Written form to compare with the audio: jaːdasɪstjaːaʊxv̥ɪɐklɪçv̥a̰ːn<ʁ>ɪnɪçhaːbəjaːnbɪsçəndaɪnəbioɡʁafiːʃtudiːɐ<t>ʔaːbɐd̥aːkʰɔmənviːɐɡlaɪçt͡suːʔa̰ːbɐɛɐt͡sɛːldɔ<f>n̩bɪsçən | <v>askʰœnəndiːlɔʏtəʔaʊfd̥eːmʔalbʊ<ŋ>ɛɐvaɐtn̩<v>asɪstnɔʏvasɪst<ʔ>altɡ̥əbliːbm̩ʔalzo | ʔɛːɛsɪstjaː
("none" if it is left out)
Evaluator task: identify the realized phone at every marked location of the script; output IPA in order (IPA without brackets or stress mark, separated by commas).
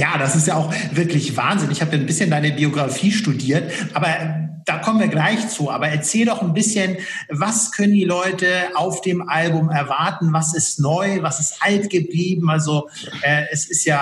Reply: z, t, χ, v, m, v, ʔ